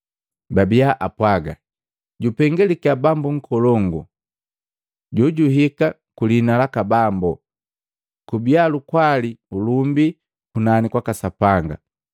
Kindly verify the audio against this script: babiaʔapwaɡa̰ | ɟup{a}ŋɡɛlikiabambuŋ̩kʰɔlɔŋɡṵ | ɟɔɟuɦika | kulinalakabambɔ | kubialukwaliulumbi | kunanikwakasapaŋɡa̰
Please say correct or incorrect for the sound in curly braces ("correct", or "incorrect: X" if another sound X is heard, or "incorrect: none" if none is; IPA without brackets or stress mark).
incorrect: ɛ